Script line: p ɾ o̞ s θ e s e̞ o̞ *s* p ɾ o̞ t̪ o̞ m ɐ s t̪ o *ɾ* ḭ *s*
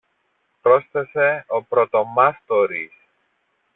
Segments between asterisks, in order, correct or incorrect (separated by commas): incorrect, correct, correct